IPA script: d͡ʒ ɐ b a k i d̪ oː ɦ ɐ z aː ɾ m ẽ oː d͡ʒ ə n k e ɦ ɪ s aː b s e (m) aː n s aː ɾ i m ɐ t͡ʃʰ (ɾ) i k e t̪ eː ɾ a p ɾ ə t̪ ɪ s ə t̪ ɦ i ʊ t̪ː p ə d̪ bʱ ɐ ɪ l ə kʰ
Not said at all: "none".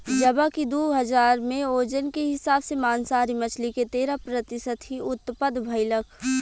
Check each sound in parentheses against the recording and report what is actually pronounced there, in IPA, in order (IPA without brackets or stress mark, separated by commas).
m, l